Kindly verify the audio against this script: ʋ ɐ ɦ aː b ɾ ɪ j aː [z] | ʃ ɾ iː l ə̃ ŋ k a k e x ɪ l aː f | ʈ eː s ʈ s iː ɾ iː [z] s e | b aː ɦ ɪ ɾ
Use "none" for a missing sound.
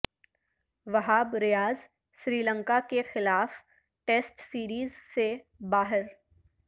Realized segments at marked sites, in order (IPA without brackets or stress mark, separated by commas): z, z